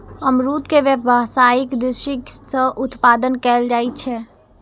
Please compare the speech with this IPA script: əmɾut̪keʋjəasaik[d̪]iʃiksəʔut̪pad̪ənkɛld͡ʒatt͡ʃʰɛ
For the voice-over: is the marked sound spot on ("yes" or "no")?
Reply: yes